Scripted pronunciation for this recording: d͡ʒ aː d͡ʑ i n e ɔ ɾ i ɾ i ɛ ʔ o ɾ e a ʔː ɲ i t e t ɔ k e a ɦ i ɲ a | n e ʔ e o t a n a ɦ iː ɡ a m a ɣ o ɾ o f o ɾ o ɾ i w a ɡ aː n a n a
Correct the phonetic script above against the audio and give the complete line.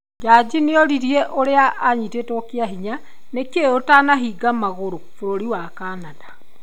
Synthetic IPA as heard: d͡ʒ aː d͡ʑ i n e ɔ ɾ i ɾ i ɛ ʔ o ɾ e a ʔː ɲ i t e t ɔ k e a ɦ i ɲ a | n e k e o t a n a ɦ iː ɡ a m a ɣ o ɾ o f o ɾ o ɾ i w a k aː n a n a

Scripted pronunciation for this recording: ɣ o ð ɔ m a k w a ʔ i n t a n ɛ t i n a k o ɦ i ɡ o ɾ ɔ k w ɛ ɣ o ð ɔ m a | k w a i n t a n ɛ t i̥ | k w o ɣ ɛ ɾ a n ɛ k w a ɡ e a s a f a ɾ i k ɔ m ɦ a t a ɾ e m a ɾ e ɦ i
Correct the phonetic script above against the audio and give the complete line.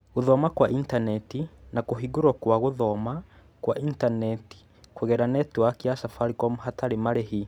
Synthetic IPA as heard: ɣ o ð ɔ m a k w a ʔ i n t a n ɛ t i n a k o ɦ i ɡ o ɾ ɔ k w a ɣ o ð ɔ m a | k w a i n t a n ɛ t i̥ | k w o ɣ ɛ ɾ a n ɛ t w a k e a s a f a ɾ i k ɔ m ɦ a t a ɾ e m a ɾ e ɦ i

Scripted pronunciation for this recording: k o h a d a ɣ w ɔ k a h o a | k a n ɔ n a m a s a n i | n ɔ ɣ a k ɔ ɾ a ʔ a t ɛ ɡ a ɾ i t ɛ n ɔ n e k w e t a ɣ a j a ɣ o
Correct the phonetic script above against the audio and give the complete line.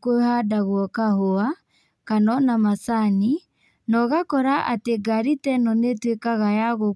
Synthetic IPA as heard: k o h a d a ɣ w ɔ k a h o a | k a n ɔ n a m a s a n i | n ɔ ɣ a k ɔ ɾ a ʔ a t e ɡ a ɾ i t ɛ n ɔ n e t w e k a ɣ a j a ɣ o

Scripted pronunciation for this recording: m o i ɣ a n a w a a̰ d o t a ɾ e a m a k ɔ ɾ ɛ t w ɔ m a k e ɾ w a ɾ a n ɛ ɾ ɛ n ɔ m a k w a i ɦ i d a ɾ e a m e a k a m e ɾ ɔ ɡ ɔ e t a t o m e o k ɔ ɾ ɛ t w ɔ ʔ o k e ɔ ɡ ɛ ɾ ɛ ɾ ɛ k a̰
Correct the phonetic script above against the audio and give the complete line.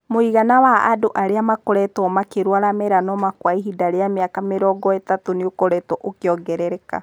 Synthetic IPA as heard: m o i ɣ a n a w a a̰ d o ʔ a ɾ e a m a k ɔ ɾ ɛ t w ɔ m a k e ɾ w a ɾ a m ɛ ɾ a n ɔ m a k w a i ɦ i d a ɾ e a m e a k a m e ɾ ɔ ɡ ɔ e t a t o n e o k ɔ ɾ ɛ t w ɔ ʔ o k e ɔ ɡ ɛ ɾ ɛ ɾ ɛ k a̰

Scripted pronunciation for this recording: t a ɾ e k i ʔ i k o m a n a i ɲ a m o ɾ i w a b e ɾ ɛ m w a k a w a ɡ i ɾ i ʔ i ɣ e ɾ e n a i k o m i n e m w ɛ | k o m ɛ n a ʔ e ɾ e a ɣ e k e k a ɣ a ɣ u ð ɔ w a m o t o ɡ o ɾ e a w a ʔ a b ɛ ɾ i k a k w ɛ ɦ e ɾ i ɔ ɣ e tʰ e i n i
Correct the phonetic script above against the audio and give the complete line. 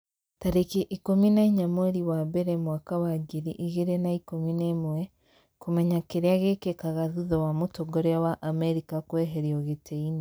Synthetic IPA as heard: t a ɾ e k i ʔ i k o m i n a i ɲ a m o ɾ i w a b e ɾ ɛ m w a k a w a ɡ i ɾ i ʔ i ɣ e ɾ e n a i k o m i n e m w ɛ | k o m ɛ ɲ a k e ɾ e a ɣ e k e k a ɣ a ð u ð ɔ w a m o t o ɡ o ɾ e a w a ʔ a m ɛ ɾ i k a k w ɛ ɦ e ɾ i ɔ ɣ e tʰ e i n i

